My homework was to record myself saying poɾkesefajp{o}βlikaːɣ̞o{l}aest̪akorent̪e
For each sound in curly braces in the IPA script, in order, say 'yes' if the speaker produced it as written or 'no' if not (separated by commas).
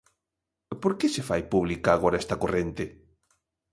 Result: no, no